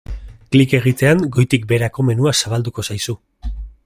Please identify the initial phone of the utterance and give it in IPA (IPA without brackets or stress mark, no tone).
k